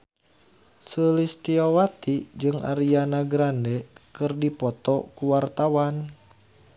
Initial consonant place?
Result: alveolar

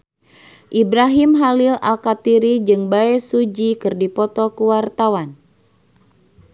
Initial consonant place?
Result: glottal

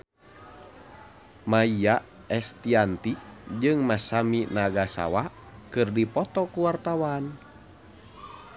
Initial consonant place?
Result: labial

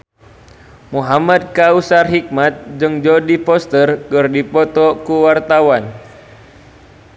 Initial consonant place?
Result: labial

